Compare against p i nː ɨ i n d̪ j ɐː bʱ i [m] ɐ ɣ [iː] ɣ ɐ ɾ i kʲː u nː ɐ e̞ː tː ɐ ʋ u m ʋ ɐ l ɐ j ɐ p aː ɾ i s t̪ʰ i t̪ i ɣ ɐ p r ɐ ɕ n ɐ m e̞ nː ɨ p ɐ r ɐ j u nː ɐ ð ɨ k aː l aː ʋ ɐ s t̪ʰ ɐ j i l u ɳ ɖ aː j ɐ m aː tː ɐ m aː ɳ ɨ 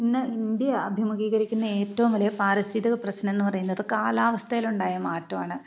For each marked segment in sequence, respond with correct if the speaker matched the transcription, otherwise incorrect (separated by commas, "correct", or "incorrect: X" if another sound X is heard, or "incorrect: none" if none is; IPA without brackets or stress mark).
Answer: correct, correct